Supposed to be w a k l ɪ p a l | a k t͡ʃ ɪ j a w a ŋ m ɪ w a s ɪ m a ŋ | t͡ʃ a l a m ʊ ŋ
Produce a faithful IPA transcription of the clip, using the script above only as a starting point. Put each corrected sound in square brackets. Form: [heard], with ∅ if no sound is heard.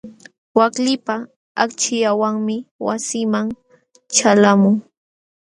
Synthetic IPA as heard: w a k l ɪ p a [∅] | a k t͡ʃ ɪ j a w a ŋ m ɪ w a s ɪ m a ŋ | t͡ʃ a l a m ʊ ŋ